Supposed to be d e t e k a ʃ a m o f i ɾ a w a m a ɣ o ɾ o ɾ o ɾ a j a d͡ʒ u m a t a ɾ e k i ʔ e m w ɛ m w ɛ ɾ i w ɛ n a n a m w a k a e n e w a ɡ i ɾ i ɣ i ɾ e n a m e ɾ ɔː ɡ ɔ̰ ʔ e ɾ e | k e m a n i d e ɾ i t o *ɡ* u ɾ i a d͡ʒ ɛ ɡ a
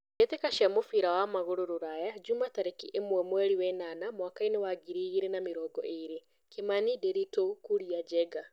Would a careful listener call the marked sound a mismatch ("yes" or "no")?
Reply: yes